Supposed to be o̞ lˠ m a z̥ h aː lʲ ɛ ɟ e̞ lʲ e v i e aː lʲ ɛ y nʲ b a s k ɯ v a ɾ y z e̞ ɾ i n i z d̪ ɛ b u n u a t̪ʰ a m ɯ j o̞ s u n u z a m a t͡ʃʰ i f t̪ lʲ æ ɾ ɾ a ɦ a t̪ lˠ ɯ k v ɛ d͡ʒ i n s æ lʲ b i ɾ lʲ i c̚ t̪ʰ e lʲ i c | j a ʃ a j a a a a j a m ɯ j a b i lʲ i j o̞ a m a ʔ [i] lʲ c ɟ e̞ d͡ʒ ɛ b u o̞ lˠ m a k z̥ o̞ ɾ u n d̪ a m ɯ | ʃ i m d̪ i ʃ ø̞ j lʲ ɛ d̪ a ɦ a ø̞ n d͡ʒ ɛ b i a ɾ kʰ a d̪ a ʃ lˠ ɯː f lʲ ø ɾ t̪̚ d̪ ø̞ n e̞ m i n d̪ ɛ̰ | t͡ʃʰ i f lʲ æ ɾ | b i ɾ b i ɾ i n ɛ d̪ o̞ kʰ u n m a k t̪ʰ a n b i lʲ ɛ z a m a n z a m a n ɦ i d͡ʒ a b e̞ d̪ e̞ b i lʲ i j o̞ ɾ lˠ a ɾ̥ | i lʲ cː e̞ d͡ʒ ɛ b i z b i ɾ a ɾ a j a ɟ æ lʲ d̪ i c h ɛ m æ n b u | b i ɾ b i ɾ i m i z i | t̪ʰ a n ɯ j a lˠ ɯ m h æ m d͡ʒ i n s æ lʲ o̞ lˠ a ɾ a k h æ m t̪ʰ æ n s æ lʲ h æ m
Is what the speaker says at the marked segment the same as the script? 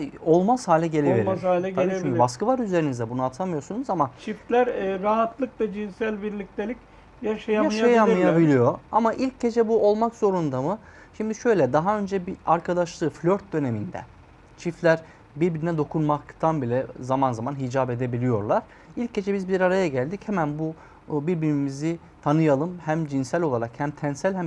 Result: yes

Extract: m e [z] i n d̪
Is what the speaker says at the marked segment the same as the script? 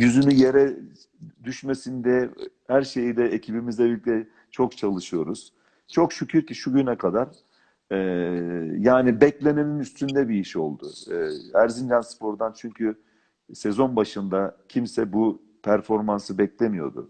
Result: no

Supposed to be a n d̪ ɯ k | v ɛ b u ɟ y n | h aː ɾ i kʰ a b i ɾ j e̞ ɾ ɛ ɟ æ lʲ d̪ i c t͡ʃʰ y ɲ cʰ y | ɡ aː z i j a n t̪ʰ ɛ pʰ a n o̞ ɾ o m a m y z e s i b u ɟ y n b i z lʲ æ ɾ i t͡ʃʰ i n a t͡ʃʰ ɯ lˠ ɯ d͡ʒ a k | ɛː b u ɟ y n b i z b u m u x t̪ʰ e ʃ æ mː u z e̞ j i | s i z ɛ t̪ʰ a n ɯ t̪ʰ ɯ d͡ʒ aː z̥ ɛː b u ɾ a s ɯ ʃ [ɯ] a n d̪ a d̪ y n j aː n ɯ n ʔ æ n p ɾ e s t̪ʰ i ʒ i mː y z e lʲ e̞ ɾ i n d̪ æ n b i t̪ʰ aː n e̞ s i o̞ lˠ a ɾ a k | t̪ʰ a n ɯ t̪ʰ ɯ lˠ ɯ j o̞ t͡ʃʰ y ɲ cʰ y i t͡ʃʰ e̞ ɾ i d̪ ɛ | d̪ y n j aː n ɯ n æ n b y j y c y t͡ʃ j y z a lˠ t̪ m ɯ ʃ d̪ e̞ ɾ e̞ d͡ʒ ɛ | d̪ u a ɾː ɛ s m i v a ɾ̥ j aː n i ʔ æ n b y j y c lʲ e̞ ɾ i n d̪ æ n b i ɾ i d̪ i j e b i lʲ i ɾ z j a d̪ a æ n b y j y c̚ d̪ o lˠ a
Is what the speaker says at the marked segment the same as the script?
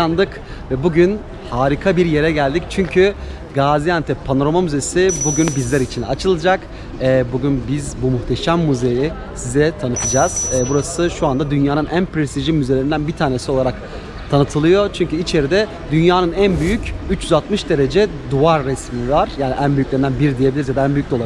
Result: no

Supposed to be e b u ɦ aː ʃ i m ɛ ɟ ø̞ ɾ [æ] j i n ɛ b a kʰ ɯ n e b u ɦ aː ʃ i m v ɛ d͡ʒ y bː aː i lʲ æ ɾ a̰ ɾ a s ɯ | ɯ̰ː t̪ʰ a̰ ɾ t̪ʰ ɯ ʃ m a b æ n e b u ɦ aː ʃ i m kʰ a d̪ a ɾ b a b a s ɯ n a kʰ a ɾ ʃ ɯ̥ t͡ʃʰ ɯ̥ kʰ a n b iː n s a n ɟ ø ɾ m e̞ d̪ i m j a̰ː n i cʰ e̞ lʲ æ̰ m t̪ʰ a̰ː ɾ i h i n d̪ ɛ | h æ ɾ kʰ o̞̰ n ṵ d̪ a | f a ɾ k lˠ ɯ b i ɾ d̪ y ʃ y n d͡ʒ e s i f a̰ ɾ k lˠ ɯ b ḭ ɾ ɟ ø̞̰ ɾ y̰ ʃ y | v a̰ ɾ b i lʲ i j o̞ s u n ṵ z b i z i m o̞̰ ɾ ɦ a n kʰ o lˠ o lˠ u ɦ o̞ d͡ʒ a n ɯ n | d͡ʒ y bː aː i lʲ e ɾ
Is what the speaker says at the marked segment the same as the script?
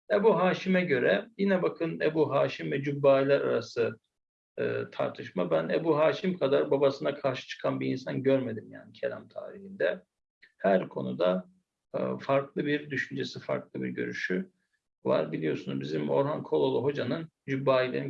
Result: no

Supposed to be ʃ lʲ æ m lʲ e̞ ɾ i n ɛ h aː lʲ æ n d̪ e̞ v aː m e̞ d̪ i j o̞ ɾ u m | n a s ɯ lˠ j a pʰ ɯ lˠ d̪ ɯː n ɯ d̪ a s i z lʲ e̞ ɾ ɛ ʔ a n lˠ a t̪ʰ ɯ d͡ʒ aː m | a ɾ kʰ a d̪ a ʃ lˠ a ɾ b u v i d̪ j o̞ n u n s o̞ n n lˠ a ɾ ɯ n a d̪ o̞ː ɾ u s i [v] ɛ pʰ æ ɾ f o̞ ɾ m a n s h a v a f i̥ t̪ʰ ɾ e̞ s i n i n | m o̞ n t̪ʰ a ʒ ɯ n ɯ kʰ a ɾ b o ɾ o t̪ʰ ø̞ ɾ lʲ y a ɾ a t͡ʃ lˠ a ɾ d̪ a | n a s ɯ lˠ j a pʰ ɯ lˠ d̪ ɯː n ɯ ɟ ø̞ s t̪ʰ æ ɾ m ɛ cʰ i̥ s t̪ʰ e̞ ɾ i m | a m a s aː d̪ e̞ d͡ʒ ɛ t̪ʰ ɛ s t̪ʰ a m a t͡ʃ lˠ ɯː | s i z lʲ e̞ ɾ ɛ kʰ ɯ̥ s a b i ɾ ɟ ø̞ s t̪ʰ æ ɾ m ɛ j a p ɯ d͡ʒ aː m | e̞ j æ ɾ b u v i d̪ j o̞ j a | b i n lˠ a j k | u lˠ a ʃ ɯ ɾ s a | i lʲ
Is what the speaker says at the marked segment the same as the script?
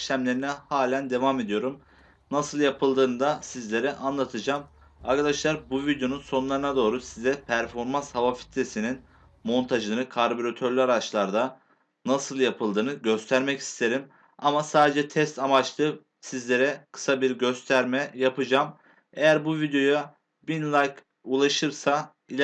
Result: no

